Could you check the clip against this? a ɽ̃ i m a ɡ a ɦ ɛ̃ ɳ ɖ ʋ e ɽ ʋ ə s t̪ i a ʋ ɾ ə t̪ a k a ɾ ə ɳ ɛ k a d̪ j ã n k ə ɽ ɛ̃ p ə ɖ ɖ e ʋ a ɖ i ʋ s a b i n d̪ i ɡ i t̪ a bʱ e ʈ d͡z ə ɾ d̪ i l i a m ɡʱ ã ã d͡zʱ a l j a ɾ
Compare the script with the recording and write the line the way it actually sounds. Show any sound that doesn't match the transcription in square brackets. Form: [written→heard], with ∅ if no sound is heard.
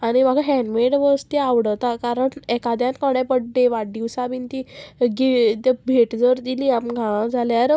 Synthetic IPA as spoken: a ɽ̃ i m a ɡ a ɦ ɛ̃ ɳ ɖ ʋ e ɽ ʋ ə s t̪ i a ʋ [ɾ→ɽ] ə t̪ a k a ɾ ə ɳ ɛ k a d̪ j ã n k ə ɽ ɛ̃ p ə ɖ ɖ e ʋ a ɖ i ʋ s a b i n [d̪→t̪] i ɡ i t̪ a bʱ e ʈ d͡z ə ɾ d̪ i l i a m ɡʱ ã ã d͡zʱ a l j a ɾ